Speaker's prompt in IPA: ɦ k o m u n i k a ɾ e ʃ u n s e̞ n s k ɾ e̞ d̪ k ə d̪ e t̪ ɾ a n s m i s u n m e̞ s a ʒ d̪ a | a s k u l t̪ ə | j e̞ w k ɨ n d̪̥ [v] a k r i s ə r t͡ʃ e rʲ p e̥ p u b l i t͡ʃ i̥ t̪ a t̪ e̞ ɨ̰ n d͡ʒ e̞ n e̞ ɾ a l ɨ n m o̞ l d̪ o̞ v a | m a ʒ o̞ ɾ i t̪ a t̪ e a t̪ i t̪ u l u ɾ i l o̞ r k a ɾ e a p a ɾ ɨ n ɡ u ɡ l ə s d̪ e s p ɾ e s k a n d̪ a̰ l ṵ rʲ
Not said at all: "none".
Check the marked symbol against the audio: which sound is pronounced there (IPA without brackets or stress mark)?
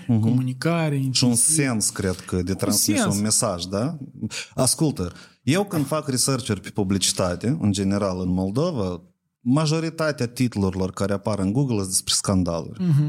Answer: f